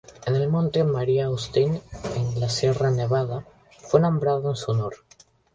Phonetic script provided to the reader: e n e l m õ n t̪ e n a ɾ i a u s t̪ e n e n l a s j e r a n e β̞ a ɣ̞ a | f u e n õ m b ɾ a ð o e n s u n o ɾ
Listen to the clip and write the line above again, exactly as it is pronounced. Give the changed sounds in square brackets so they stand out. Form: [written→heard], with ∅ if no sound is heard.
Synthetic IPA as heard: e n e l m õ n t̪ e [n→m] a ɾ i a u s t̪ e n e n l a s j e r a n e β̞ a [ɣ̞→ð̞] a | f [u→w] e n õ m b ɾ a ð o e n s u n o ɾ